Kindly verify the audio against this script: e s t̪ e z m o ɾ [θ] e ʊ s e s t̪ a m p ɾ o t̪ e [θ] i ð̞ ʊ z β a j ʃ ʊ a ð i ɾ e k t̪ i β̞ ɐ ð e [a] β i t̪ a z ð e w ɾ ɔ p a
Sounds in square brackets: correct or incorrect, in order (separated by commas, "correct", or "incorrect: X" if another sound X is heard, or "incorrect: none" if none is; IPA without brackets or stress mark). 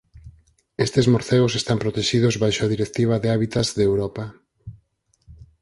correct, incorrect: ʃ, correct